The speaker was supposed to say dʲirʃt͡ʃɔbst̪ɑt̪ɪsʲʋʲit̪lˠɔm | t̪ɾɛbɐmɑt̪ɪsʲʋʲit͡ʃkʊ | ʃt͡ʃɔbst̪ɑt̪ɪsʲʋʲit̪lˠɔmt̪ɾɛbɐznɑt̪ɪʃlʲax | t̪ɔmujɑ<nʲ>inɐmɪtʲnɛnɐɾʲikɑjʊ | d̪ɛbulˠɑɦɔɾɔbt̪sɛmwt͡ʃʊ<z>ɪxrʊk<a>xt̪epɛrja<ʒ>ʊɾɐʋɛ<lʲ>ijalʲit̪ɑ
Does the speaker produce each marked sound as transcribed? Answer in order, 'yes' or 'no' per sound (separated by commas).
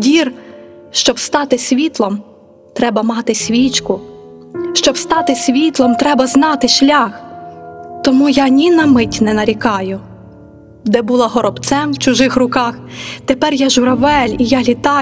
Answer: yes, no, no, yes, yes